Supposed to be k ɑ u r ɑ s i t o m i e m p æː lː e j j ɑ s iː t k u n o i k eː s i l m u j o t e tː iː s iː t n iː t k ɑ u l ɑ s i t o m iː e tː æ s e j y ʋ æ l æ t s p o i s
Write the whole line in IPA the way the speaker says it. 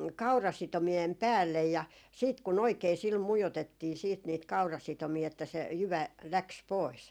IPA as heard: k ɑ u r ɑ s i t o m i e m p æː lː e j j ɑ s iː t k u n o i k eː s i l m u j o t e tː iː s iː t n iː t k ɑ u r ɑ s i t o m iː e tː æ s e j y ʋ æ l æ k s p o i s